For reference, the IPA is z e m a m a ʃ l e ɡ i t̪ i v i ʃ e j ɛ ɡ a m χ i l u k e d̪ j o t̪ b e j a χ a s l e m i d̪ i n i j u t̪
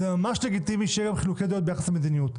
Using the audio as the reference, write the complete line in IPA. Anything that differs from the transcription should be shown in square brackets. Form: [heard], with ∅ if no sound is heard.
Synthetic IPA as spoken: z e m a m a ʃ l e ɡ i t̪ i v i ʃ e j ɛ ɡ a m χ i l u k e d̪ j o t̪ b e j a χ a s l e m [e] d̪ i n i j u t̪